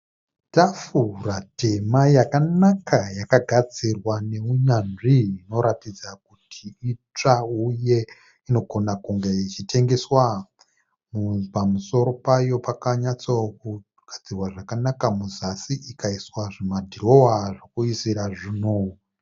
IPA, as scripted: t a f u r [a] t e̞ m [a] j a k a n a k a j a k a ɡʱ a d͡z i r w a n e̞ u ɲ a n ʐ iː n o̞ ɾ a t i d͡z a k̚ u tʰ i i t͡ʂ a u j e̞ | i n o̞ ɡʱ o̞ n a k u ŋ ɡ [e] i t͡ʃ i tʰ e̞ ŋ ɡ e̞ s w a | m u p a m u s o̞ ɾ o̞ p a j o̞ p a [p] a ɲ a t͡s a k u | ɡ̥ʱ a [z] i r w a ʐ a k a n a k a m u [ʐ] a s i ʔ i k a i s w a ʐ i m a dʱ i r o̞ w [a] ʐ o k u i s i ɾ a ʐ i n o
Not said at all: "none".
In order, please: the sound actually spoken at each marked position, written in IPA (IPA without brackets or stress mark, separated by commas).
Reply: a, a, e, k, d͡z, z, a